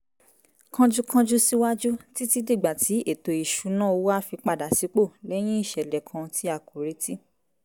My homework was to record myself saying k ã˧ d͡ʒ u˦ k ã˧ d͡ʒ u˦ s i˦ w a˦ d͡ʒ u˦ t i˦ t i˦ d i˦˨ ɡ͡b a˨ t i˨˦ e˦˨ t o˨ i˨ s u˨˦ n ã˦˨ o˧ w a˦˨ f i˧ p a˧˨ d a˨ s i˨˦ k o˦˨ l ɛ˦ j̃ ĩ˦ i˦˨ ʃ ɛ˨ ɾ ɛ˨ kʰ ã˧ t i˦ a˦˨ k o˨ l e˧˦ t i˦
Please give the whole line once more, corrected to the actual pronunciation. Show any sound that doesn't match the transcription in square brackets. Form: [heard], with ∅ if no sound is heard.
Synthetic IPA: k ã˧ d͡ʒ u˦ k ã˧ d͡ʒ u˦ s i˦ w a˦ d͡ʒ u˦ t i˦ t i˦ d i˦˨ ɡ͡b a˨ t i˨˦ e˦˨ t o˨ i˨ [ʃ] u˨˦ n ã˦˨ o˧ w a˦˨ f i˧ [k͡p] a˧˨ d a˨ s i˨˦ [k͡p] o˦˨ l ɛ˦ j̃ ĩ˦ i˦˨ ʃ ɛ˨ [l] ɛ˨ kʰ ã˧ t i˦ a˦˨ k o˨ [ɾ] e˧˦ t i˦